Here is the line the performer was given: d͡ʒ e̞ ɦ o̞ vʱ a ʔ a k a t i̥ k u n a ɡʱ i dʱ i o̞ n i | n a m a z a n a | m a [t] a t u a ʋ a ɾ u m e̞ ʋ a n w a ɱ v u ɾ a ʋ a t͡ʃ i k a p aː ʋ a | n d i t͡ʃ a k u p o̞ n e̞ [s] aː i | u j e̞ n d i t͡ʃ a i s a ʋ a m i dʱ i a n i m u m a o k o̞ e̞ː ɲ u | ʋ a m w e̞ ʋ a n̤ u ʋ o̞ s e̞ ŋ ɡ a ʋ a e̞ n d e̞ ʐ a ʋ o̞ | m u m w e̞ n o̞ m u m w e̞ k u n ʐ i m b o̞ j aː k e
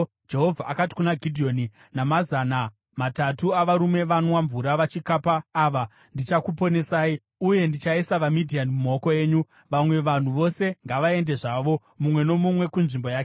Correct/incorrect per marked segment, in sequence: correct, correct

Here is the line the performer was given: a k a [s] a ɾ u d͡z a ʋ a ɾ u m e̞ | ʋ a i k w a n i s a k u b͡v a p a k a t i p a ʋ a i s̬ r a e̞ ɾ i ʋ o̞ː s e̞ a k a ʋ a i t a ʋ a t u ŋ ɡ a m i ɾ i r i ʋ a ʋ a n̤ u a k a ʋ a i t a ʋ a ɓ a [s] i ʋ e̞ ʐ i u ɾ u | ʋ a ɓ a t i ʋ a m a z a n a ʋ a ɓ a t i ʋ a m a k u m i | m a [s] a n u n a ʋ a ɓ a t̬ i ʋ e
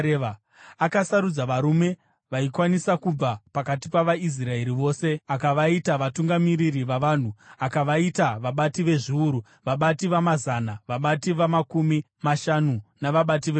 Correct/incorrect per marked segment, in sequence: correct, incorrect: t, incorrect: ʃ

